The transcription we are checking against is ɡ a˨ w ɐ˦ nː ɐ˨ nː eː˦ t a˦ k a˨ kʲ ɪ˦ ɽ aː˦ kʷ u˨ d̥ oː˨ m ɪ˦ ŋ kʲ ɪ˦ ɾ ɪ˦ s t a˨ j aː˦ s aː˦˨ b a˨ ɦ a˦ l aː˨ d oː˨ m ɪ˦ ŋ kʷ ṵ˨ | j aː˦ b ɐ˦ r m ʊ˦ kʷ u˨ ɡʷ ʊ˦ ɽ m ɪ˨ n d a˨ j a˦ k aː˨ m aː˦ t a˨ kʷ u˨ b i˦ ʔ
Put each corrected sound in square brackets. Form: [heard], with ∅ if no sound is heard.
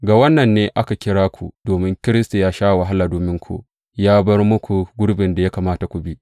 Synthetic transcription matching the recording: ɡ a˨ w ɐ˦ nː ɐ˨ nː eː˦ [ʔ] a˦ k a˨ kʲ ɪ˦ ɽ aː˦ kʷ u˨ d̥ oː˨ m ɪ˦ ŋ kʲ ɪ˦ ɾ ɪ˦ s t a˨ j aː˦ [ʃ] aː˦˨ [w] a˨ ɦ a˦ l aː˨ d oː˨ m ɪ˦ ŋ kʷ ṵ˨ | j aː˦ b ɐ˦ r m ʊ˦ kʷ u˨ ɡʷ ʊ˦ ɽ [b] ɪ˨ n d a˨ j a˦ k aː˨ m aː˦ t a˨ kʷ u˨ b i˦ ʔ